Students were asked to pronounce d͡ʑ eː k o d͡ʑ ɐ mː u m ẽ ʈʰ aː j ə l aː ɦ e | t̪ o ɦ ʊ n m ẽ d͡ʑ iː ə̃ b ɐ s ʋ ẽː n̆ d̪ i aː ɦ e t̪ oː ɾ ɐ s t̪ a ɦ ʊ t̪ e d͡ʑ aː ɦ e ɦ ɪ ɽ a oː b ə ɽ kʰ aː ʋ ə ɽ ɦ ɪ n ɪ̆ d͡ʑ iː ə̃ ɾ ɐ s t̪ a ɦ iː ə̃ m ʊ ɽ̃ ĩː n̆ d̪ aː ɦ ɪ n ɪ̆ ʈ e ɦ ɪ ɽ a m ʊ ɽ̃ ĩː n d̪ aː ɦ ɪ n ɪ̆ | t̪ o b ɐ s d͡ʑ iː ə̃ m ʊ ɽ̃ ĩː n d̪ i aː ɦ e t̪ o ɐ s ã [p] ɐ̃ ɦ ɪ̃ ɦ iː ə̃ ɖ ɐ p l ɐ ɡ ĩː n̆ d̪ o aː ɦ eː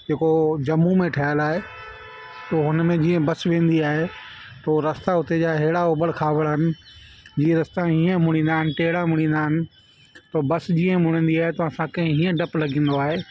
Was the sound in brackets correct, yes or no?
no